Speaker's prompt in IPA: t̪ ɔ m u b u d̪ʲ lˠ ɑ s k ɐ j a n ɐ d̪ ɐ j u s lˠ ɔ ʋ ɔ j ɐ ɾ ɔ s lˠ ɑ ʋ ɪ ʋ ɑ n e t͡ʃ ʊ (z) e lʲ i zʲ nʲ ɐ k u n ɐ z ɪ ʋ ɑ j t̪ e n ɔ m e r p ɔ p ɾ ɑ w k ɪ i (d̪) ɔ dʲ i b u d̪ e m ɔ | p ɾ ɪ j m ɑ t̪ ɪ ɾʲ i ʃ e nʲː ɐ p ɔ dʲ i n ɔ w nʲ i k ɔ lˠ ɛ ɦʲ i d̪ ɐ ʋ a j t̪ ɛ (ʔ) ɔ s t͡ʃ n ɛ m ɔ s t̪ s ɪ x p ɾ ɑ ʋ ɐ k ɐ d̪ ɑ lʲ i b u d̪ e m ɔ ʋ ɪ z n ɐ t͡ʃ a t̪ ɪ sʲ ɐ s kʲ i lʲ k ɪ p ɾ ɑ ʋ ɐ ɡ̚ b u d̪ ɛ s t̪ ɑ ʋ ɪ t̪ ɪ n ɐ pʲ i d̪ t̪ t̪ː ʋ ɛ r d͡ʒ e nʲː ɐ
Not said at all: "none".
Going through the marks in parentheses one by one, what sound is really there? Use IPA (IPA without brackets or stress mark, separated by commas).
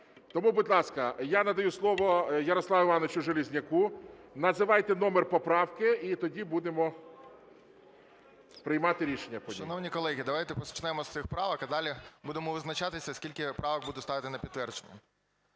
ʒ, t̪, p